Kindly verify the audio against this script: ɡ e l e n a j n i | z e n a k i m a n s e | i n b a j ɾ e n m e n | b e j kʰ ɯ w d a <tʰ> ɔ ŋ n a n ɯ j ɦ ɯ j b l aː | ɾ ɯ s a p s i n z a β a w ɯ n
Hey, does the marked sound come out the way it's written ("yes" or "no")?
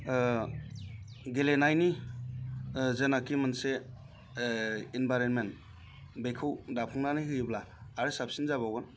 no